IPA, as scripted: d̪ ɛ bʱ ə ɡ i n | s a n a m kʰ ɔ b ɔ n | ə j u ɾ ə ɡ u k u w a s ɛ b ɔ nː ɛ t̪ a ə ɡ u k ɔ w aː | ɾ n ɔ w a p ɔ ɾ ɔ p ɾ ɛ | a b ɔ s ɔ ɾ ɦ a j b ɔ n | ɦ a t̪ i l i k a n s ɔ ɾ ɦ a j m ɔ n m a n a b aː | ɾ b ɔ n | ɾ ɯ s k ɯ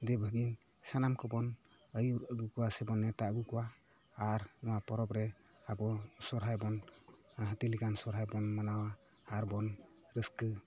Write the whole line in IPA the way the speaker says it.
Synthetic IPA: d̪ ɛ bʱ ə ɡ i n | s a n a m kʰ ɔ b ɔ n | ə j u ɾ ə ɡ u k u w a s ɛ b ɔ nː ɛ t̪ a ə ɡ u k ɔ w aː | ɾ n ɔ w a p ɔ ɾ ɔ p ɾ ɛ | a b ɔ s ɔ ɾ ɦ a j b ɔ n | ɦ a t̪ i l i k a n s ɔ ɾ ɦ a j b ɔ n m a n a w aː | ɾ b ɔ n | ɾ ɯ s k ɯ

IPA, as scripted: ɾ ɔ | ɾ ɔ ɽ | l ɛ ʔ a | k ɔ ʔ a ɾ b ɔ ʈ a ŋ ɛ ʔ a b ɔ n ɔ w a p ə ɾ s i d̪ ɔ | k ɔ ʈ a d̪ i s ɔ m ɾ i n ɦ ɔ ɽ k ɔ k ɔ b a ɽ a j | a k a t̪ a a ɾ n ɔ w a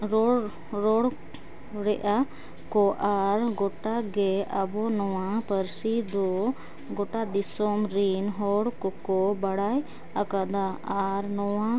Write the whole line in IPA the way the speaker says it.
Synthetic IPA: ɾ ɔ | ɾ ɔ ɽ | ɾ ɛ ʔ a | k ɔ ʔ a ɾ ɡ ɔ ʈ a ɡ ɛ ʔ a b ɔ n ɔ w a p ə ɾ s i d̪ ɔ | ɡ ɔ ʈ a d̪ i s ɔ m ɾ i n ɦ ɔ ɽ k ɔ k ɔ b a ɽ a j | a k a d̪ a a ɾ n ɔ w a

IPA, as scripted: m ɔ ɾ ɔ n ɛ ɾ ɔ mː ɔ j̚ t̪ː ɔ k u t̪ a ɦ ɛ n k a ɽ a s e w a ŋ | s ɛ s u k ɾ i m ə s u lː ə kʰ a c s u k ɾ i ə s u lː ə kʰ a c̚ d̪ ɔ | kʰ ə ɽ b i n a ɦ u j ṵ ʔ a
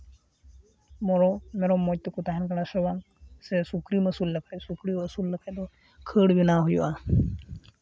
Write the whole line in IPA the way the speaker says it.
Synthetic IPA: m ɔ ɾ ɔ m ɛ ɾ ɔ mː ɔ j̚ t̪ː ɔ k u t̪ a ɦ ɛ n k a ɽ a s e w a ŋ | s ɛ s u k ɾ i m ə s u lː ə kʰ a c s u k ɾ i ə s u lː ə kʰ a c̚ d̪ ɔ | kʰ ə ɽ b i n a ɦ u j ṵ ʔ a

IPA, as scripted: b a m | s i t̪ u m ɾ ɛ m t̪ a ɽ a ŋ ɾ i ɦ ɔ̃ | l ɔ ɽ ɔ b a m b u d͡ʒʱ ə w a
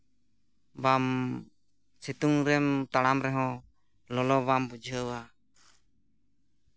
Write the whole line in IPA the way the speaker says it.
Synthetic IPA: b a m | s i t̪ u ŋ ɾ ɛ m t̪ a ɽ a m ɾ ɛ ɦ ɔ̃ | l ɔ l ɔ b a m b u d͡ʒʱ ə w a

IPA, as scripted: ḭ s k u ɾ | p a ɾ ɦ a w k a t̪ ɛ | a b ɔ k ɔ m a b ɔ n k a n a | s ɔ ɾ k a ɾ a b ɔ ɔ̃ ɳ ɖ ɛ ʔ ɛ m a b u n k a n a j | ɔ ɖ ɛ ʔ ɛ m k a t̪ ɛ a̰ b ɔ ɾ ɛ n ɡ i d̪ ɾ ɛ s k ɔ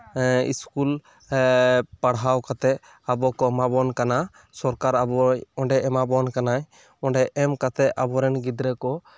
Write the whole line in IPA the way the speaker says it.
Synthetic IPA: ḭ s k u l | p a ɽ ɦ a w k a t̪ ɛ | a b ɔ k ɔ m a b ɔ n k a n a | s ɔ ɾ k a ɾ a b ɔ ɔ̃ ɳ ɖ ɛ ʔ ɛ m a b ɔ n k a n a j | ɔ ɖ ɛ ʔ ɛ m k a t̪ ɛ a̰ b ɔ ɾ ɛ n ɡ i d̪ ɾ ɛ k ɔ

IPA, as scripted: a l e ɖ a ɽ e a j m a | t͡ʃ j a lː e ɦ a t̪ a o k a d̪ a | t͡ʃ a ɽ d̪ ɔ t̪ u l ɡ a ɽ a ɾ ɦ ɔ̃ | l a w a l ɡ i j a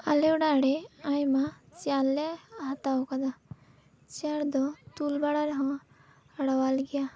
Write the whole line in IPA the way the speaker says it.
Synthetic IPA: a l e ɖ a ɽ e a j m a | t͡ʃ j a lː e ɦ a t̪ a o k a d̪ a | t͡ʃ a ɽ d̪ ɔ t̪ u l b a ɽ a ɾ ɦ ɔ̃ | ɽ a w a l ɡ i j a

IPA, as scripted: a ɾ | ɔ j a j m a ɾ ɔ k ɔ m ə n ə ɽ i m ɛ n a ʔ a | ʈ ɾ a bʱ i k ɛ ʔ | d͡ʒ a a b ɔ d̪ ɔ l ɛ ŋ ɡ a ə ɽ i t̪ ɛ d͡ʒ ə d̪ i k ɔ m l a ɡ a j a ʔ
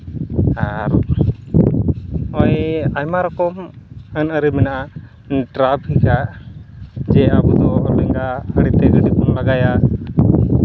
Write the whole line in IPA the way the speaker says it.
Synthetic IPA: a ɾ | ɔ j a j m a ɾ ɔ k ɔ m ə n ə ɾ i m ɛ n a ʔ a | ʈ ɾ a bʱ i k a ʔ | d͡ʒ ɛ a b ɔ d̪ ɔ l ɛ ŋ ɡ a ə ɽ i t̪ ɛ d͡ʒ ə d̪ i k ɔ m l a ɡ a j a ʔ

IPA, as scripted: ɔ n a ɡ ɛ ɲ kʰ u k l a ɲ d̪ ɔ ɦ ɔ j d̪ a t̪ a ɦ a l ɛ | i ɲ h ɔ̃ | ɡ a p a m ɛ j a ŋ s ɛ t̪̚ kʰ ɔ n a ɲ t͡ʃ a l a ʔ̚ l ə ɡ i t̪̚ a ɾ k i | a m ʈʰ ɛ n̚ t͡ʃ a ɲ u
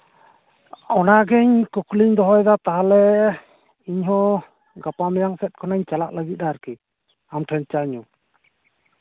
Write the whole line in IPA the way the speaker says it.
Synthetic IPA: ɔ n a ɡ ɛ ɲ k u k l i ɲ d̪ ɔ ɦ ɔ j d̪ a t̪ a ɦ a l ɛ | i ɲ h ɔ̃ | ɡ a p a m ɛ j a ŋ s ɛ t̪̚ kʰ ɔ n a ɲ t͡ʃ a l a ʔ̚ l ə ɡ i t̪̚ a ɾ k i | a m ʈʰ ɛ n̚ t͡ʃ a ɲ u

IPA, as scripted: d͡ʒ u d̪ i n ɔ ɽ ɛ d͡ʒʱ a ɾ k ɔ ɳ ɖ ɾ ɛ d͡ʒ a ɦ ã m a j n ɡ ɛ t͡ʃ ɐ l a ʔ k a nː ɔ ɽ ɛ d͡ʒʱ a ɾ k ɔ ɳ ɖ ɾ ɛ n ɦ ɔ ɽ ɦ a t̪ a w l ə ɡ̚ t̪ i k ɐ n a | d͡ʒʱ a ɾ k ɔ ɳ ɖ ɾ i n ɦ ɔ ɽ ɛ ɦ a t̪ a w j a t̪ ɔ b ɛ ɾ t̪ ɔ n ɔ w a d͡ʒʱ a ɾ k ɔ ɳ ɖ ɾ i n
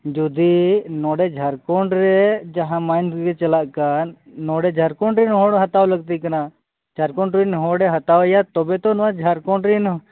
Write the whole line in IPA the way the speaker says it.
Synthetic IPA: d͡ʒ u d̪ i n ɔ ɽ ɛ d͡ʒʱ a ɾ k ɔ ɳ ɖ ɾ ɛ d͡ʒ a ɦ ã m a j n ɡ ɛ t͡ʃ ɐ l a ʔ k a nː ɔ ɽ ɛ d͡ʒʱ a ɾ k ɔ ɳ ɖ ɾ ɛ n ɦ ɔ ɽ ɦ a t̪ a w l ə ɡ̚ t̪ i k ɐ n a | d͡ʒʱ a ɾ k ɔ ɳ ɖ ɾ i n ɦ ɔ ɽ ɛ ɦ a t̪ a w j a t̪ ɔ b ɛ t̪ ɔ n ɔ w a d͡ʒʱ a ɾ k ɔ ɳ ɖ ɾ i n

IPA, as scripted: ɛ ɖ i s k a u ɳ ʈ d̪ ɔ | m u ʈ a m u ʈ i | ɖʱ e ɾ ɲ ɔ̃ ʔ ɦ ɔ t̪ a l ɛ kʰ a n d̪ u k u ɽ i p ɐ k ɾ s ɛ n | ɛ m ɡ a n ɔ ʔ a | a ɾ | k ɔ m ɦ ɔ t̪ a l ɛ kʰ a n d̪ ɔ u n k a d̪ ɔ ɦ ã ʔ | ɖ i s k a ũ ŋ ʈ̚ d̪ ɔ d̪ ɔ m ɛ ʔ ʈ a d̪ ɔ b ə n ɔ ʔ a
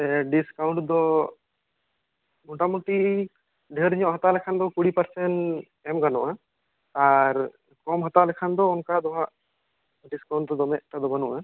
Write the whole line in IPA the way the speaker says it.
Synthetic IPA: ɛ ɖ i s k a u ɳ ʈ d̪ ɔ | m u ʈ a m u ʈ i | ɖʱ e ɾ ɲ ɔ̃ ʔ ɦ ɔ t̪ a l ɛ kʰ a n d̪ ɔ k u ɽ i p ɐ ɾ s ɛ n | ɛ m ɡ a n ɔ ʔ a | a ɾ | k ɔ m ɦ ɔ t̪ a l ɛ kʰ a n d̪ ɔ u n k a d̪ ɔ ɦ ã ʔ | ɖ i s k a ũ ɳ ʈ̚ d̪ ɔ d̪ ɔ m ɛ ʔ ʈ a d̪ ɔ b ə n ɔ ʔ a

